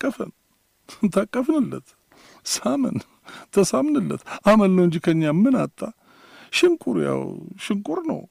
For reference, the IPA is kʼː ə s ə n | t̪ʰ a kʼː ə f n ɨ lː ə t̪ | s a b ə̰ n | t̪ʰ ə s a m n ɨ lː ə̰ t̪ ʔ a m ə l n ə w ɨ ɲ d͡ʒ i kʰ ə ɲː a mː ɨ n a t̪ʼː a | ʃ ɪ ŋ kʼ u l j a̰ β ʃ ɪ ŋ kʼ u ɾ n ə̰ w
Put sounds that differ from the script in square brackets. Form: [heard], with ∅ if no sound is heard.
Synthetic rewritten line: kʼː ə [f] ə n | t̪ʰ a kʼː ə f n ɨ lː ə t̪ | s a [m] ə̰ n | t̪ʰ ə s a m n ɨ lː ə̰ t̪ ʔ a m ə l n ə w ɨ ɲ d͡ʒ i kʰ ə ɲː a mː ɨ n a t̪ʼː a | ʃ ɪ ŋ kʼ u [ɾ] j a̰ [w] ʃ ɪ ŋ kʼ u ɾ n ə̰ w